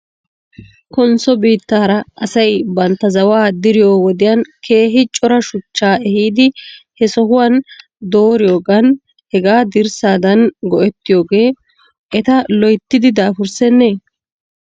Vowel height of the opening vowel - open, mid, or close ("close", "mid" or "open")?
mid